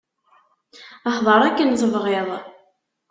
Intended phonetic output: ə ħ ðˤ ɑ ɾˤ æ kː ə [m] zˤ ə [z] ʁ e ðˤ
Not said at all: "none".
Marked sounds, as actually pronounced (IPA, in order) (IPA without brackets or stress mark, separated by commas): n, v